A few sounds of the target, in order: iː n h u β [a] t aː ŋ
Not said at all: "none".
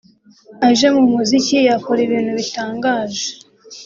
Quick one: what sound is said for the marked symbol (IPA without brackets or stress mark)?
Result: i